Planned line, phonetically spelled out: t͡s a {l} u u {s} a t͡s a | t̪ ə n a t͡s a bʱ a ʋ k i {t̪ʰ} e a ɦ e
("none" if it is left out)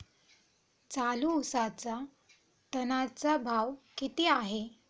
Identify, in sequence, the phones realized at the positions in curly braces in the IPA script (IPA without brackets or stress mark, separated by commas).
l, s, t̪